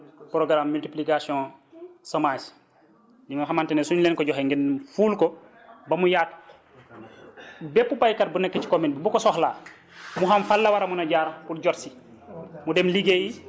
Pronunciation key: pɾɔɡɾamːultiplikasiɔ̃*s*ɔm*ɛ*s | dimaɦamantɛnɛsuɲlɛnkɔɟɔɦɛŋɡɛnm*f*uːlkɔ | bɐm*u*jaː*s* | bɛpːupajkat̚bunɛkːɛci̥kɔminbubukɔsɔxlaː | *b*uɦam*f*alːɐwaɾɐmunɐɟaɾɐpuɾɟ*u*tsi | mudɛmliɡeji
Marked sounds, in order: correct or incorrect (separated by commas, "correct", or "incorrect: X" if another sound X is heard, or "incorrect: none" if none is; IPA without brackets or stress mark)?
correct, incorrect: a, correct, correct, incorrect: t, incorrect: m, correct, incorrect: ɔ